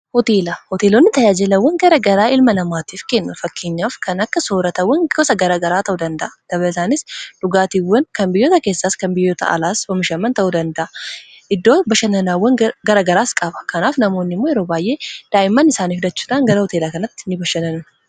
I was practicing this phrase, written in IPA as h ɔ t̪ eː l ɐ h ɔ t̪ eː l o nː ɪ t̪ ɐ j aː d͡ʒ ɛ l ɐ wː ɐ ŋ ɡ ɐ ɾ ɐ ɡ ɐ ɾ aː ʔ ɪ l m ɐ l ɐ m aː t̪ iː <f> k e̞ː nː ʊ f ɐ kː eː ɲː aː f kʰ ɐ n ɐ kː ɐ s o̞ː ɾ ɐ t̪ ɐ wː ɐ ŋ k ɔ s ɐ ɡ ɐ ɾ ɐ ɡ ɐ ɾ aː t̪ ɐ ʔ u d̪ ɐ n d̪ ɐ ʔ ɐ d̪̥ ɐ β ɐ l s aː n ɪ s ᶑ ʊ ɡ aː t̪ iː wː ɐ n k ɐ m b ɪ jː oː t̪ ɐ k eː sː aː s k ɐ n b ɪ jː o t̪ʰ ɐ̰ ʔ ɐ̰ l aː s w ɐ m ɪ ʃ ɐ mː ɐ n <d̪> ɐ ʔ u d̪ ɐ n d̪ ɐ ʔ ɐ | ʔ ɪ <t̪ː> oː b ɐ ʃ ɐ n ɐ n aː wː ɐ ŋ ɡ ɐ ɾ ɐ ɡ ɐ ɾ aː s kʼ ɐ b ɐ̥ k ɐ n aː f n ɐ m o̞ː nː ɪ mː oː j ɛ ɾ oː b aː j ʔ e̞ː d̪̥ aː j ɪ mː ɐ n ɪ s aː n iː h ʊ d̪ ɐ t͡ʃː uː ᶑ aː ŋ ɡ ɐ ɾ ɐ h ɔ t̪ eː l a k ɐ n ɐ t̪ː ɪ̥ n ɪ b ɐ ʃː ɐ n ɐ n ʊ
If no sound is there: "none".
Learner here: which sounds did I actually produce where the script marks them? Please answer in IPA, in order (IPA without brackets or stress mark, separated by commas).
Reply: f, t̪, d̪ː